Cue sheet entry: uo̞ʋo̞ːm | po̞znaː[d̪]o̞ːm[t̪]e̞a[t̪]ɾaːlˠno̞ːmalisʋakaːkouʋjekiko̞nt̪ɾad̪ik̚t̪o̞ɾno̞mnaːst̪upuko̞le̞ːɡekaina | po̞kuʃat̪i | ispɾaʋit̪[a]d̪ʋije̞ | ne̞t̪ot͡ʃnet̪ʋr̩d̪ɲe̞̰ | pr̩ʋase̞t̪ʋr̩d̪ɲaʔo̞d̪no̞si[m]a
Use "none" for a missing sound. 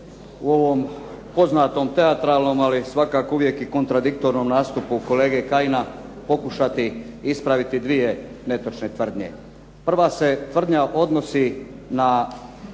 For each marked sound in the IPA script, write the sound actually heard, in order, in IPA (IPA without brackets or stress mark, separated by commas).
t̪, t̪, t̪, i, n